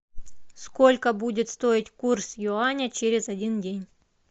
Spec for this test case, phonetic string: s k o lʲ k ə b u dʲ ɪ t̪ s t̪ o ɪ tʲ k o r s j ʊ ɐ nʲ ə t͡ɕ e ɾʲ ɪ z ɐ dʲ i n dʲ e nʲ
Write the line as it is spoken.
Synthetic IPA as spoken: s k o lʲ k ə b u dʲ ɪ t̪ s t̪ o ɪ tʲ k u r s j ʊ a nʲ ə t͡ɕ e ɾʲ ɪ z ɐ dʲ i n dʲ e nʲ